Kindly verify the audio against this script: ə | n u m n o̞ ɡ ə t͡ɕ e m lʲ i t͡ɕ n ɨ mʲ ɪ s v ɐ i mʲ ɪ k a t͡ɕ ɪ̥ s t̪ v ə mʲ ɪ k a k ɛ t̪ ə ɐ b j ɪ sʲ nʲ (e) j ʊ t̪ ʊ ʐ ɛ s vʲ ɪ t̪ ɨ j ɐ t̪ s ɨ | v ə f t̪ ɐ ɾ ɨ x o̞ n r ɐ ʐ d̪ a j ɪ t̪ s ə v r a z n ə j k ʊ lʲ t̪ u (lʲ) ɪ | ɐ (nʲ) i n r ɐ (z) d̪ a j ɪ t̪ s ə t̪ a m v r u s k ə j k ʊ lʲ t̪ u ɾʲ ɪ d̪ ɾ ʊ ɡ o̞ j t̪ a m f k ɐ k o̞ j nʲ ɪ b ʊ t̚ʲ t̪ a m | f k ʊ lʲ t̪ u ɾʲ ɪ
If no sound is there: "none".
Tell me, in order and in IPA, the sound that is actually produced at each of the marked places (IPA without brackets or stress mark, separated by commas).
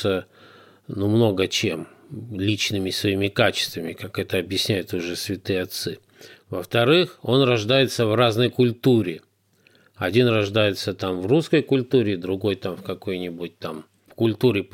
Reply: æ, ɾʲ, dʲ, ʐ